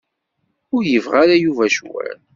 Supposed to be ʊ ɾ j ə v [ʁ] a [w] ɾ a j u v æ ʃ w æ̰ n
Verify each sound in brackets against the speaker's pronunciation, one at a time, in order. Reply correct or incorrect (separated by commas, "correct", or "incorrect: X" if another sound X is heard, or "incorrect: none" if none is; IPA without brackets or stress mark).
correct, incorrect: none